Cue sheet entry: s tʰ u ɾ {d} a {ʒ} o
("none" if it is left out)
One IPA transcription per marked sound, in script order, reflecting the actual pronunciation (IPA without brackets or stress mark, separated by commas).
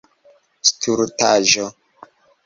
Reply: t, ʒ